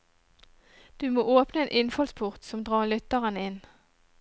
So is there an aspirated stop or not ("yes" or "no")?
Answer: yes